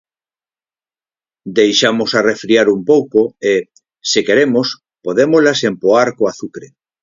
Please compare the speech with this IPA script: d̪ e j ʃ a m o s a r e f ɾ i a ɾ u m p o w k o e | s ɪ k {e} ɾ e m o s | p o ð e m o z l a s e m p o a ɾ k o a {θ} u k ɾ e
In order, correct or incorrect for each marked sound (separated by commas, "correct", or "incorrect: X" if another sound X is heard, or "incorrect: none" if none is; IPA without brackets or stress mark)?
correct, correct